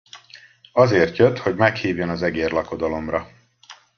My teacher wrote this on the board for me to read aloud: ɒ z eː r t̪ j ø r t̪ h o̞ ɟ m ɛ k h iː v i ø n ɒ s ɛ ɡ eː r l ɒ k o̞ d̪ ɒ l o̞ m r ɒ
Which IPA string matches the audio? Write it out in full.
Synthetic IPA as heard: ɒ z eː r t̪ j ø t̪ h o̞ ɟ m ɛ k h iː v j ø n ɒ z ɛ ɡ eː r l ɒ k o̞ d̪ ɒ l o̞ m r ɒ